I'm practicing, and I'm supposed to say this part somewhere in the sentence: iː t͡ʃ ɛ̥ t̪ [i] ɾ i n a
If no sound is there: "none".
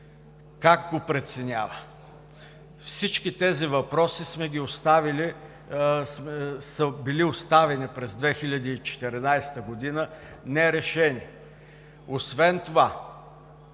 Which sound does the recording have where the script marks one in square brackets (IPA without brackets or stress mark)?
ɛ